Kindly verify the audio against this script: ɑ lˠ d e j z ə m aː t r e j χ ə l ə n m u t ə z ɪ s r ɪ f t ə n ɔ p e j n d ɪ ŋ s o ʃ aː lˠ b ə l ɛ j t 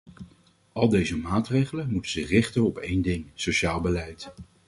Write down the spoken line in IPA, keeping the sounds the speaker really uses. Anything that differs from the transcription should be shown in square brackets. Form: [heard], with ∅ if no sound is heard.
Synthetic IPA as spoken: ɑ lˠ d e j z ə m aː t r e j χ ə l ə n m u t ə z ɪ [χ] r ɪ [χ] t ə n ɔ p e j n d ɪ ŋ s o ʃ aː lˠ b ə l ɛ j t